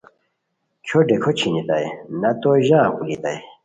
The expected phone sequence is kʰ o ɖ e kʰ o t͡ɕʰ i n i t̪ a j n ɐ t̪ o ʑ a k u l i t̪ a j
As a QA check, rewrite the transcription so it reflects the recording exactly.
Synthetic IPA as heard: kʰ o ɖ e kʰ o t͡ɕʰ i n i t̪ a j n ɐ t̪ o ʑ a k u l i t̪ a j